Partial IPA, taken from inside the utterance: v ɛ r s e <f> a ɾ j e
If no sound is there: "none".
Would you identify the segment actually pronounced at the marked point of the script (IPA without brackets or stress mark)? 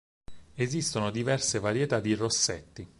v